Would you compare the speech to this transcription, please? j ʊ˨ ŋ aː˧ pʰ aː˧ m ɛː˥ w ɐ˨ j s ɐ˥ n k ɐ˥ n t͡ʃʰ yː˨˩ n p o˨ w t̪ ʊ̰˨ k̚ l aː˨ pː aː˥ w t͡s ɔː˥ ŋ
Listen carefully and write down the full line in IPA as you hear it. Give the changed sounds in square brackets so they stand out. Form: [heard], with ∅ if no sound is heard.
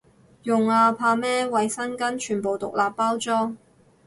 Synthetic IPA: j ʊ˨ ŋ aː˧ pʰ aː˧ m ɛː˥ w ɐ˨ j s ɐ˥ n k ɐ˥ n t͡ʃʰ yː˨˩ n p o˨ w t̪ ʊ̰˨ k̚ l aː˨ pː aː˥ w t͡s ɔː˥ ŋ